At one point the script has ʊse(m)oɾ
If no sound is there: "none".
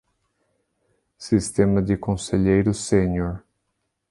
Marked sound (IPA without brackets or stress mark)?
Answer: ɲ